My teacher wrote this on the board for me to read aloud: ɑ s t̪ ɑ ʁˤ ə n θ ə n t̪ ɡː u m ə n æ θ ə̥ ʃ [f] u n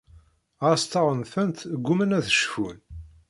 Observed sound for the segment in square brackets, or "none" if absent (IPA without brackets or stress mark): f